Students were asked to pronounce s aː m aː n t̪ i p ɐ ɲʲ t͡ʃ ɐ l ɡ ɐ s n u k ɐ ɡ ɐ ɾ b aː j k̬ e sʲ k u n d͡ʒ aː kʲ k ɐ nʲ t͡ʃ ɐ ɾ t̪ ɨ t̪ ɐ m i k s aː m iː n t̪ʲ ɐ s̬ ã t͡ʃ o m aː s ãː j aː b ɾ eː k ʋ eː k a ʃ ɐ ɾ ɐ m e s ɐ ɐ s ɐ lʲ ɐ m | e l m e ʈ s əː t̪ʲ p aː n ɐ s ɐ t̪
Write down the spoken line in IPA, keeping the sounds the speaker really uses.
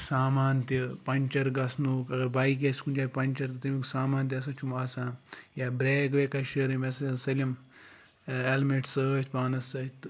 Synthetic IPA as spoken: s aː m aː n t̪ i p ɐ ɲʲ t͡ʃ ɐ ɾ ɡ ɐ s n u k ɐ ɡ ɐ ɾ b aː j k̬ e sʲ k u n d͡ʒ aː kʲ p ɐ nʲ t͡ʃ ɐ ɾ t̪ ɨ t̪ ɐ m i k s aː m aː n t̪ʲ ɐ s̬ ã t͡ʃ u m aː s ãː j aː b ɾ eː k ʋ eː k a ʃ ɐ ɾ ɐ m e s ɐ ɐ s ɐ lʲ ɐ m | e l m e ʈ s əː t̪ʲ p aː n ɐ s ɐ t̪